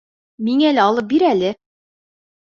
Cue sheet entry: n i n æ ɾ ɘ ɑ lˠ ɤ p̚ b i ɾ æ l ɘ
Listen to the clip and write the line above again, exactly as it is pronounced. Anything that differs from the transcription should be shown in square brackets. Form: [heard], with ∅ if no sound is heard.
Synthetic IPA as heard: [m] i [ŋ] æ [l] ɘ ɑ lˠ ɤ p̚ b i ɾ æ l ɘ